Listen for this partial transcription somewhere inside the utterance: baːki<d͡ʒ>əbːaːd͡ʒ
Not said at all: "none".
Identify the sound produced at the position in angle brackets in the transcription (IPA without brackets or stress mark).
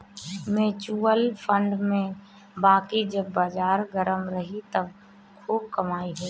d͡ʒ